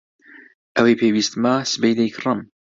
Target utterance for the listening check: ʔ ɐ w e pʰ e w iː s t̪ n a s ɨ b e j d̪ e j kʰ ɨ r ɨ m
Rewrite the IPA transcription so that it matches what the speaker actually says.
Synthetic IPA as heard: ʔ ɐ w e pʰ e w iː s t̪ m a s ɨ b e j d̪ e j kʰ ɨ r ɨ m